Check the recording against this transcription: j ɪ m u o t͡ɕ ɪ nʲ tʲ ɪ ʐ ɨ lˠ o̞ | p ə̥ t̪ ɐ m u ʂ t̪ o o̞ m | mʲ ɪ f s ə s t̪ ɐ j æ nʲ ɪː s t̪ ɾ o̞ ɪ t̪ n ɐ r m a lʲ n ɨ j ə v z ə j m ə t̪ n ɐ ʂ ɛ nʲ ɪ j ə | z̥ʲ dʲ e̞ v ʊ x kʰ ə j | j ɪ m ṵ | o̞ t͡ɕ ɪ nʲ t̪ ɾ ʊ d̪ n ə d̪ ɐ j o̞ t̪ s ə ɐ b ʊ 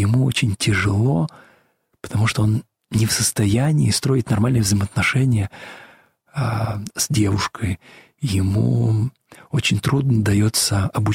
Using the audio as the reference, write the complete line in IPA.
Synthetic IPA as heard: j ɪ m u o t͡ɕ ɪ nʲ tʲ ɪ ʐ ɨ lˠ o̞ | p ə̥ t̪ ɐ m u ʂ t̪ o o̞ n | nʲ ɪ f s ə s t̪ ɐ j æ nʲ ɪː s t̪ ɾ o̞ ɪ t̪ n ɐ r m a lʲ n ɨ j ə v z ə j m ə t̪ n ɐ ʂ ɛ nʲ ɪ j ə | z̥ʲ dʲ e̞ v ʊ ʂ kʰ ə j | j ɪ m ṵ | o̞ t͡ɕ ɪ nʲ t̪ ɾ u d̪ n ə d̪ ɐ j o̞ t̪ s ə ɐ b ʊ